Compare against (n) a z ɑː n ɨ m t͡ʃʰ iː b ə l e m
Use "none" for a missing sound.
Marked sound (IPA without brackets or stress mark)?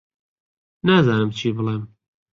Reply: n